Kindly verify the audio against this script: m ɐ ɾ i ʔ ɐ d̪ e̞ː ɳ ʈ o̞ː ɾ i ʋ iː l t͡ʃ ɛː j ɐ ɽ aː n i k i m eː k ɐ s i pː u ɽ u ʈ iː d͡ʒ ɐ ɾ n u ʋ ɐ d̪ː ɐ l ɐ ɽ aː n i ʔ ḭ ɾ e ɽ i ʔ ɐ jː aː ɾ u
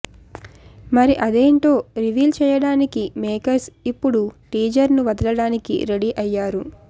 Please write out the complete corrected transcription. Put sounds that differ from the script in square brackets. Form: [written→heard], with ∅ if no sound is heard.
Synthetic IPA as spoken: m ɐ ɾ i ʔ ɐ d̪ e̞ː ɳ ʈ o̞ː ɾ i ʋ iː l t͡ʃ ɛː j ɐ ɽ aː n i k i m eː k ɐ s i pː u ɽ u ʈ iː d͡ʒ ɐ ɾ n u ʋ ɐ [d̪ː→d̪] ɐ l ɐ ɽ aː n i [ʔ→k] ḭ ɾ e ɽ i ʔ ɐ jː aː ɾ u